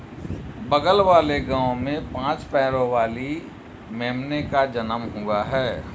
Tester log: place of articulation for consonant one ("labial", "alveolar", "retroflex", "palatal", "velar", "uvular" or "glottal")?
labial